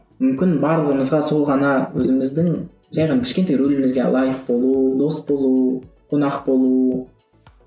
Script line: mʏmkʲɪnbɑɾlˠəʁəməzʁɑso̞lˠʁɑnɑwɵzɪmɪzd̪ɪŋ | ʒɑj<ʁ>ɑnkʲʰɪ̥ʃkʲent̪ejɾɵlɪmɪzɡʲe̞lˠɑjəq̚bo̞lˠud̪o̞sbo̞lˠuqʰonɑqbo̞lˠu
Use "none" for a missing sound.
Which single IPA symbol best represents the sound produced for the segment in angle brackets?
ʁ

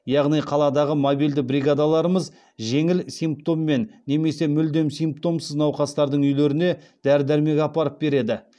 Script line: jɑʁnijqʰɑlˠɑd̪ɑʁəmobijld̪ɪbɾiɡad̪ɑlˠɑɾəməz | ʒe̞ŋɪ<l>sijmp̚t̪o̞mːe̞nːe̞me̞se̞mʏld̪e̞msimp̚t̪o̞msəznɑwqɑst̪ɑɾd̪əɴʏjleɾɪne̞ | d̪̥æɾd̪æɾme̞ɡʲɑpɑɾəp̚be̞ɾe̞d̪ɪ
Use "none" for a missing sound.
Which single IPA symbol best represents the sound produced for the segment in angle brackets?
l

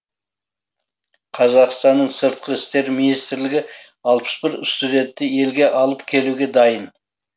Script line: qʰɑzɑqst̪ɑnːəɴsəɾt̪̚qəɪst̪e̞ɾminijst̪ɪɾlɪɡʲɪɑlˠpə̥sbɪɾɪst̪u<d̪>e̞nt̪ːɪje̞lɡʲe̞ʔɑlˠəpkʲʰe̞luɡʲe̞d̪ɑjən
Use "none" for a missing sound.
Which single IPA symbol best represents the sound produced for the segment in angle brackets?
d̪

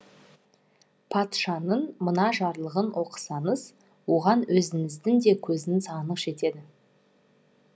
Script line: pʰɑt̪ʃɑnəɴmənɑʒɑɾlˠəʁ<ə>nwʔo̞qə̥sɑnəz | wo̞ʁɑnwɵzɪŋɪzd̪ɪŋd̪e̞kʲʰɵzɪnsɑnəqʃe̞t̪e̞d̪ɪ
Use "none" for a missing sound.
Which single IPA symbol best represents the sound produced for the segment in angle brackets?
ə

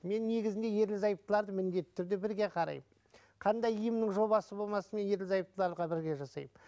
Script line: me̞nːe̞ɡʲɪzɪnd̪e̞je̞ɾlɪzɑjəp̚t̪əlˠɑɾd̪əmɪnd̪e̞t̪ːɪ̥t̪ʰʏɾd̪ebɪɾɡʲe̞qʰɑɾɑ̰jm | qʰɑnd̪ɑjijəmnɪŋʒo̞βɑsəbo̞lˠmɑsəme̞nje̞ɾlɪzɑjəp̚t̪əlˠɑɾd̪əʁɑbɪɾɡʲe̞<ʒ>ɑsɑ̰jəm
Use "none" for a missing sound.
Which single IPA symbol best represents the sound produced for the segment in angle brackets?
ʒ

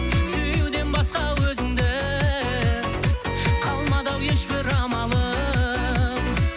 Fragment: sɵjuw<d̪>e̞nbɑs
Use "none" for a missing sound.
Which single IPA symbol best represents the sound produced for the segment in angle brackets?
d̪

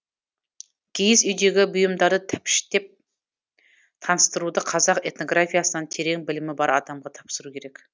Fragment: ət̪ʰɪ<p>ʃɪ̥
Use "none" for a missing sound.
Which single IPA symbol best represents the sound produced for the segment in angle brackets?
p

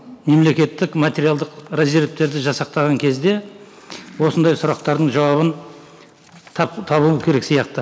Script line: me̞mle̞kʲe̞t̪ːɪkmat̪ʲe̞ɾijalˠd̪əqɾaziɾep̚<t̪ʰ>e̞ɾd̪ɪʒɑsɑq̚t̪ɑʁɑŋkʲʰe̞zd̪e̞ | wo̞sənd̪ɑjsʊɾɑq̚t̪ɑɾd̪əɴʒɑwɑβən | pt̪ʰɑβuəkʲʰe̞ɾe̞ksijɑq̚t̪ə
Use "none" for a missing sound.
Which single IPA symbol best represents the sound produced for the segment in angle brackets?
t̪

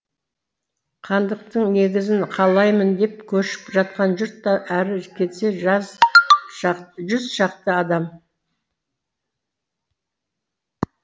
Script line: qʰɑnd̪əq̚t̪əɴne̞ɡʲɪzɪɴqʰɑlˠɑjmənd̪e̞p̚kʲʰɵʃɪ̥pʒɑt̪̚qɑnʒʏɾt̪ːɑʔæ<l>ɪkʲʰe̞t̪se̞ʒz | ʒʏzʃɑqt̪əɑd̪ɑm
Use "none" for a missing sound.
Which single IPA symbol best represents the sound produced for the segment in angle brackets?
ɾ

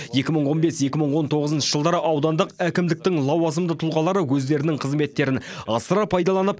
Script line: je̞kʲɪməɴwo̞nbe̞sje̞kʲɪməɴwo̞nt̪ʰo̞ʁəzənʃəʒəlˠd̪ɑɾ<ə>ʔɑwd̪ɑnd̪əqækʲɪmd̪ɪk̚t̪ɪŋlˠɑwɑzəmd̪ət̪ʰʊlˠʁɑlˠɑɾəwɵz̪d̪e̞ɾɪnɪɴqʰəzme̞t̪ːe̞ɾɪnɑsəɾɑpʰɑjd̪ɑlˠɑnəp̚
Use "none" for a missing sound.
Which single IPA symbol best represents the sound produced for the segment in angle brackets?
ə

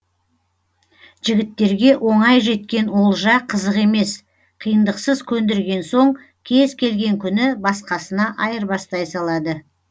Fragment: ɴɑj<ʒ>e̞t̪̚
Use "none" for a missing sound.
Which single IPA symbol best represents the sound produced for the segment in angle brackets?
ʒ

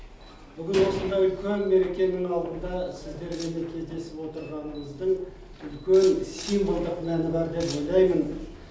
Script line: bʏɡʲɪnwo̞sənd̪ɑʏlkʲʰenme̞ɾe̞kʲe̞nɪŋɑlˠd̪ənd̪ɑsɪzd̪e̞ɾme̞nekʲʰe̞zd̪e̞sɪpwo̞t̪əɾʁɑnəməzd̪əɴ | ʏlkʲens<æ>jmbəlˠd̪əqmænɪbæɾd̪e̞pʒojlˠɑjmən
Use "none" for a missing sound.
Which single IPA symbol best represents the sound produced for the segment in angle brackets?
i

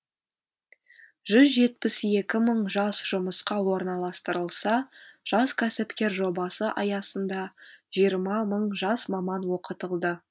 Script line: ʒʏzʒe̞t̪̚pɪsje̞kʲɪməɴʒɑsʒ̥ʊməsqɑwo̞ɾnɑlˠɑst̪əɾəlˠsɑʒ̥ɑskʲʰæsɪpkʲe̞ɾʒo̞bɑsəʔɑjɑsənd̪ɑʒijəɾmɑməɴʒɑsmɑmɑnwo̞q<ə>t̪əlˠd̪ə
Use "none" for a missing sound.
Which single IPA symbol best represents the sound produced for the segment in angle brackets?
ə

